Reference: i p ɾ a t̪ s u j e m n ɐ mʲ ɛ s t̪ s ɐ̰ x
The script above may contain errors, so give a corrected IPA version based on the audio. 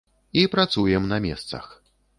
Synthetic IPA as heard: i p ɾ a t̪ s u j ɛ m n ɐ mʲ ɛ s t̪ s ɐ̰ x